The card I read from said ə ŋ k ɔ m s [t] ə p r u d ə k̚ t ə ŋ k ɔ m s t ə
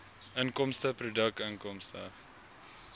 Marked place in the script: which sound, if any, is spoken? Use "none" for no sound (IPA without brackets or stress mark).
t